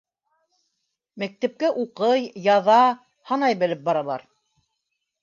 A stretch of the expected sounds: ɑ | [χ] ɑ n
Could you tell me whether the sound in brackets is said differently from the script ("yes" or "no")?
yes